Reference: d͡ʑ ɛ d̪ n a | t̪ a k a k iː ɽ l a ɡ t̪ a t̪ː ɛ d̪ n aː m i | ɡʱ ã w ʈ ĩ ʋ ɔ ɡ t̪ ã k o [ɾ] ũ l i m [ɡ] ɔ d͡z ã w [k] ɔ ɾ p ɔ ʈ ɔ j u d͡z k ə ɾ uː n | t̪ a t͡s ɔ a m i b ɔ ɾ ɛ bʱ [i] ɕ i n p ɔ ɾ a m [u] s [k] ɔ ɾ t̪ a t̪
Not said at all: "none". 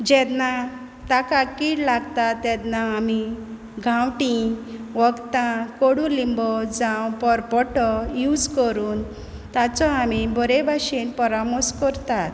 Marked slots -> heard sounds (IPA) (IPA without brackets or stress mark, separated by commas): ɽ, b, p, a, ɔ, k